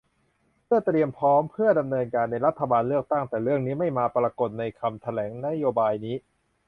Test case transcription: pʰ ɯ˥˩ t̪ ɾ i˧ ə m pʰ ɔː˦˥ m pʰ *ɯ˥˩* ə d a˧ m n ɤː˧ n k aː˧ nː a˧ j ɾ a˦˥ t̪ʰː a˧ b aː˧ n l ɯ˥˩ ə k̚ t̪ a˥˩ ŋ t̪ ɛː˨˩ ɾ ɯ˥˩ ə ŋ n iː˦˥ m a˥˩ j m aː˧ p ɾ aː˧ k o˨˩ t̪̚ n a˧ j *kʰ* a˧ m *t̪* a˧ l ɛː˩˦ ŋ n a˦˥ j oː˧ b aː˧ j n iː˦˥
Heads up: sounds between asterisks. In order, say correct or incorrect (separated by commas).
correct, correct, incorrect